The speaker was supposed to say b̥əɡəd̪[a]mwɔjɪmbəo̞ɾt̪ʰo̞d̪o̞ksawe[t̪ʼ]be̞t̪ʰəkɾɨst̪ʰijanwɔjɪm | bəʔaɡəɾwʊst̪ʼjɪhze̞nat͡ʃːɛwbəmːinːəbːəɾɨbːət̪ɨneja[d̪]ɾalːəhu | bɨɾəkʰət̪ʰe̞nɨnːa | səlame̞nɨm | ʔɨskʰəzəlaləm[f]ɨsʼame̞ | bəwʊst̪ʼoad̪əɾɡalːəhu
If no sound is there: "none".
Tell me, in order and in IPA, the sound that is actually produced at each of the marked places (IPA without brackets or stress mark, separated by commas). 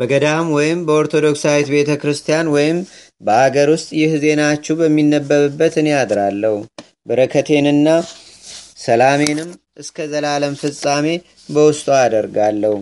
a, t̪, d̪, f